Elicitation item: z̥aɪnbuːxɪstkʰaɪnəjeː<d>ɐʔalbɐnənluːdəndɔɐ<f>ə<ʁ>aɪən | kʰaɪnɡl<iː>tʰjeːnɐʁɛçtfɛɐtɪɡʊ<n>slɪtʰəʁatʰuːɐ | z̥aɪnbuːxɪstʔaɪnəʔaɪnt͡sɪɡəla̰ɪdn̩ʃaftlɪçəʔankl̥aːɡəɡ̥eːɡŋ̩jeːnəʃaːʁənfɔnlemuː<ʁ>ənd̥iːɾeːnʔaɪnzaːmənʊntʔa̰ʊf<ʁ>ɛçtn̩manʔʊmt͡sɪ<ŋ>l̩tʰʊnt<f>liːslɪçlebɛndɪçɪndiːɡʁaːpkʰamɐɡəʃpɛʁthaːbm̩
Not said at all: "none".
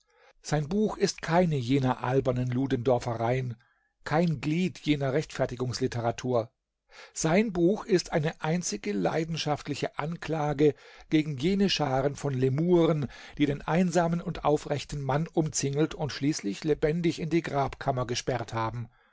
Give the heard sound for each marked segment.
n, f, ʁ, iː, ŋ, ʁ, ʁ, ŋ, ʃ

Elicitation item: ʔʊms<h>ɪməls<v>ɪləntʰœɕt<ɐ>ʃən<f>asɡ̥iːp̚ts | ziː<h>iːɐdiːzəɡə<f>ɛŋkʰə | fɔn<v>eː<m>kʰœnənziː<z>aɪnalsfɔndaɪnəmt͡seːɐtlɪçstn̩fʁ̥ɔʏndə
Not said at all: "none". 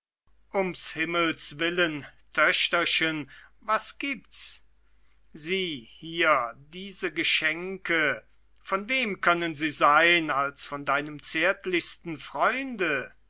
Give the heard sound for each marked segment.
h, v, ɐ, v, h, ʃ, v, m, z

